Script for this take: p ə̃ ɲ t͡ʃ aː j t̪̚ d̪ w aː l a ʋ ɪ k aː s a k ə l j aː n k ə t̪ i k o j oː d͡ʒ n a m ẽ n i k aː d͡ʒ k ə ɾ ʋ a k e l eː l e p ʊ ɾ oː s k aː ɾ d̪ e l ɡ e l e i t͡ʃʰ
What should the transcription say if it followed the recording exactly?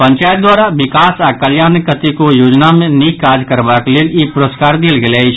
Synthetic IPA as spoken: p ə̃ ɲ t͡ʃ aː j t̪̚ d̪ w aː ɾ a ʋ ɪ k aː s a k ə l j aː n k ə t̪ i k o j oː d͡ʒ n a m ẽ n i k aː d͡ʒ k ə ɾ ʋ a k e l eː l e p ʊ ɾ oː s k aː ɾ d̪ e l ɡ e l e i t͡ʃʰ